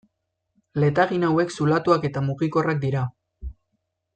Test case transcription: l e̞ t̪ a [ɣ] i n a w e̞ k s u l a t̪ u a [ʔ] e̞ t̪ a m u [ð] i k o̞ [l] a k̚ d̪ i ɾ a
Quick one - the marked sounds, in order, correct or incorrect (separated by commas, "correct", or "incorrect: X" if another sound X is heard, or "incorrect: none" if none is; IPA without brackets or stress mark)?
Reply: correct, incorrect: k, incorrect: ɣ, incorrect: r